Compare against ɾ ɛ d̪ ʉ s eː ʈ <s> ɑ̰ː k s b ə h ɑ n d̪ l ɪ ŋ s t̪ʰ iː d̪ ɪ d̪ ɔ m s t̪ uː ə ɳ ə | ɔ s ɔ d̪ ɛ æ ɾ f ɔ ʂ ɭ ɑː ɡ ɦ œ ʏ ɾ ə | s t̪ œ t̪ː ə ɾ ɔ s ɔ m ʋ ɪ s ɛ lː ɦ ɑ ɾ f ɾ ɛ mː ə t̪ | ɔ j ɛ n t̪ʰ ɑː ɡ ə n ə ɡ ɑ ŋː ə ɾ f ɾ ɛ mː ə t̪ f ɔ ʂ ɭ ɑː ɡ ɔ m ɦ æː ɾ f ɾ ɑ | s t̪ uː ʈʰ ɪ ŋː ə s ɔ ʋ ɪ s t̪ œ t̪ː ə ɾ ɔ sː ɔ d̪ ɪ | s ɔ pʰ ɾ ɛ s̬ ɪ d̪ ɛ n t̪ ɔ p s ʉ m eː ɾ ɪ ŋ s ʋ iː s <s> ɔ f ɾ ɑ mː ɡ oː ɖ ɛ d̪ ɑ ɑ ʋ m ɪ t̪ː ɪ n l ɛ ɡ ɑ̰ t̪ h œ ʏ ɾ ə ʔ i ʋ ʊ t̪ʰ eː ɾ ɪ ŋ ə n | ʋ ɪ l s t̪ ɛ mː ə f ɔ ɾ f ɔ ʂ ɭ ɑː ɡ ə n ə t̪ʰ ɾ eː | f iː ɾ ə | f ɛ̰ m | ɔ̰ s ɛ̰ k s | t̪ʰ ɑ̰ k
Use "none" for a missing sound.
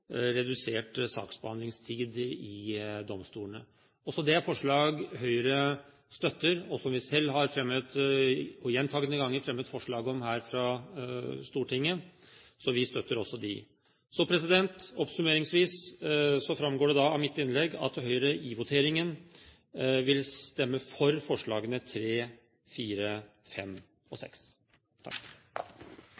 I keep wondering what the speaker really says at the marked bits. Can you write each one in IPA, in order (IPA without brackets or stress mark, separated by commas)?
s, s